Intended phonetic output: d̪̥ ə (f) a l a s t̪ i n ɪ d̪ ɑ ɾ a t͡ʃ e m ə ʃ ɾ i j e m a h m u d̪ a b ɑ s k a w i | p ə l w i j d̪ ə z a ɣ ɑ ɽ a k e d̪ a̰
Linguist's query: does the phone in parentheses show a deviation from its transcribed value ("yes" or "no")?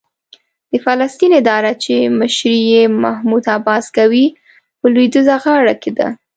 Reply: no